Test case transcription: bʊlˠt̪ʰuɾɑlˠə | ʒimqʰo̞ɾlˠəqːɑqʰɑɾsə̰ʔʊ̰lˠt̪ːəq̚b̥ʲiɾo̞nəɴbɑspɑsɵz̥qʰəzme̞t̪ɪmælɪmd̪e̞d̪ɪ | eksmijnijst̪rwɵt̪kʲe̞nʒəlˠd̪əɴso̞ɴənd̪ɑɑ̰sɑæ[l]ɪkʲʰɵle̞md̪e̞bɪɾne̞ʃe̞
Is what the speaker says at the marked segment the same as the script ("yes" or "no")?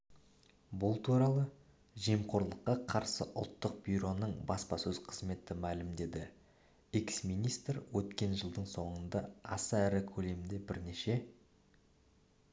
no